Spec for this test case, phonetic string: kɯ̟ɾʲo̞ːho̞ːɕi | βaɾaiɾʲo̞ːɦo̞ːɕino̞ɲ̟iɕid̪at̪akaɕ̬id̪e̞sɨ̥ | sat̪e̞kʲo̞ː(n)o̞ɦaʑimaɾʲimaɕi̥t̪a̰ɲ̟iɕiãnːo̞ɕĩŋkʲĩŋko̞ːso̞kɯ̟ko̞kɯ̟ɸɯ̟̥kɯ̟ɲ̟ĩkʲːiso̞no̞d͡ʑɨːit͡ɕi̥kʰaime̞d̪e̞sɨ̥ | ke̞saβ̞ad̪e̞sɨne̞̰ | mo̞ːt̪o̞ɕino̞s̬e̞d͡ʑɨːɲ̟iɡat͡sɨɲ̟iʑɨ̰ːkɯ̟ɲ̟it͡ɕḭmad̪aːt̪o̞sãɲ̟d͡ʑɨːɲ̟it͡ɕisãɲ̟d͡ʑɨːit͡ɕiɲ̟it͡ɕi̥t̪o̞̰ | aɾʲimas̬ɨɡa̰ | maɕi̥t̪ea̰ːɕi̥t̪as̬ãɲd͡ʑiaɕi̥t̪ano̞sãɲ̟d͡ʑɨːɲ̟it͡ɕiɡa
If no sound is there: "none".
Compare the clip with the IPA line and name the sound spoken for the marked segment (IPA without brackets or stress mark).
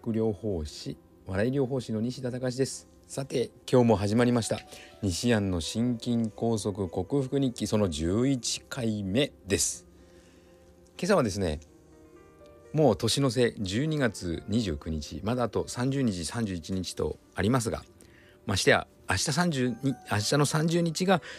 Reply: m